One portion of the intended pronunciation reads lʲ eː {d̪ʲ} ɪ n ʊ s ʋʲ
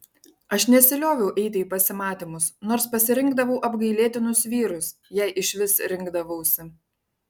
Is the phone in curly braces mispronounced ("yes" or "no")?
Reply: yes